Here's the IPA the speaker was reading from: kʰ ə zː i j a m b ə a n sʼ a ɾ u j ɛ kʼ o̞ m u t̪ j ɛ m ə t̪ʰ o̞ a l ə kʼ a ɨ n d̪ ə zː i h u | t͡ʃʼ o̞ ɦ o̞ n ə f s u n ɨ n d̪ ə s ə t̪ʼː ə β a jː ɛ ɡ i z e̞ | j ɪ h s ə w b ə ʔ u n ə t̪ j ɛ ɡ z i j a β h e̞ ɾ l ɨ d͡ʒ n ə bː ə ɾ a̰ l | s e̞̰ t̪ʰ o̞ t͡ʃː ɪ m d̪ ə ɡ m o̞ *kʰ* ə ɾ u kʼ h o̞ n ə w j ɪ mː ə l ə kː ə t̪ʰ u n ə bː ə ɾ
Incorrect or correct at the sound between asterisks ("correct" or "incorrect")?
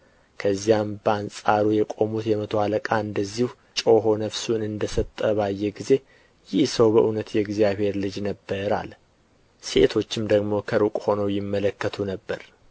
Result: correct